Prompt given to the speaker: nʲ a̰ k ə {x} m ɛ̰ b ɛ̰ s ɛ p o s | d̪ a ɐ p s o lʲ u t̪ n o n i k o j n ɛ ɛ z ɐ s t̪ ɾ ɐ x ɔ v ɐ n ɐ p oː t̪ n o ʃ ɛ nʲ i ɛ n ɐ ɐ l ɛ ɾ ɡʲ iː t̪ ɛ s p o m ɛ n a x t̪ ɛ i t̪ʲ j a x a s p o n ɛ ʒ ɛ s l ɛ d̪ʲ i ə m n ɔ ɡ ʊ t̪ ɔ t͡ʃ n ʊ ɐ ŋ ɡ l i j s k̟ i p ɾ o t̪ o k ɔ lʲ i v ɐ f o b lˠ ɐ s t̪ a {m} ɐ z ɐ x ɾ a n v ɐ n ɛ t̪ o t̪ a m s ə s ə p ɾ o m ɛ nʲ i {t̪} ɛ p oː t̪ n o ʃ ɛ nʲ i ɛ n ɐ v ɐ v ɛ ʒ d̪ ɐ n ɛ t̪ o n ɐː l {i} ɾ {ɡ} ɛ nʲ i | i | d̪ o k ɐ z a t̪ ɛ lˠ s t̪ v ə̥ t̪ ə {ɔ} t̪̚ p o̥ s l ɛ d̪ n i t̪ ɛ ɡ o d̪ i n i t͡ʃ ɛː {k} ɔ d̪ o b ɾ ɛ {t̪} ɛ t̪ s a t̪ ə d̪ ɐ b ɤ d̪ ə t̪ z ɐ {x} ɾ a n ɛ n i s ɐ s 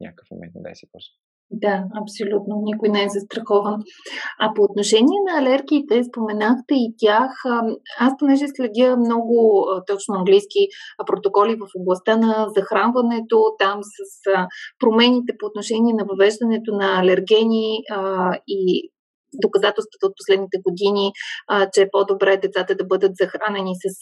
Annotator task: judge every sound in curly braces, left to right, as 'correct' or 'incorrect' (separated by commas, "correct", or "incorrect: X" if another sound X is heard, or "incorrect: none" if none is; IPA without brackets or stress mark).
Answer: incorrect: f, incorrect: n, correct, incorrect: ɛ, correct, incorrect: o, incorrect: p, incorrect: d̪, correct